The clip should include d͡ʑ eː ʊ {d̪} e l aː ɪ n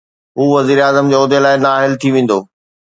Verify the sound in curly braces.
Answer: correct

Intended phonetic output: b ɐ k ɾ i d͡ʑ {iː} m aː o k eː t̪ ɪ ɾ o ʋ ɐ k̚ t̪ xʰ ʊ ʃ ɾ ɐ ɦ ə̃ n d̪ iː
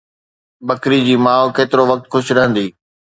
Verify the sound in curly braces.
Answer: correct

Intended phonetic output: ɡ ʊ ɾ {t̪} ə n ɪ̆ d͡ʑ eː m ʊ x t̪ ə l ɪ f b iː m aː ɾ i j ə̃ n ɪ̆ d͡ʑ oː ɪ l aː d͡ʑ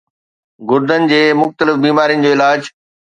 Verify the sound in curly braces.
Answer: incorrect: d̪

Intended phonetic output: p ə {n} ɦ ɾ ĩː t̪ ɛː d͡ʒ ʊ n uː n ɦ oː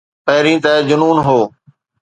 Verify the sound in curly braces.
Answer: incorrect: none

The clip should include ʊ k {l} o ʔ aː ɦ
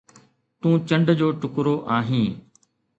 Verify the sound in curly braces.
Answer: incorrect: ɾ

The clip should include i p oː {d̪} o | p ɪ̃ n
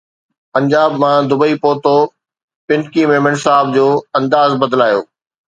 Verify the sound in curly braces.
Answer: incorrect: t̪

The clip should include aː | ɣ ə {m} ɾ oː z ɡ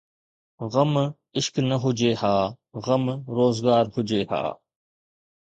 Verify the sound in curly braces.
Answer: correct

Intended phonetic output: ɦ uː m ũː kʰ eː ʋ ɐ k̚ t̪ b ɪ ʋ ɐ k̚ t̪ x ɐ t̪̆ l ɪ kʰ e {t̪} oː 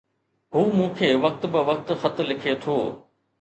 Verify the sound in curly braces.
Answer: incorrect: t̪ʰ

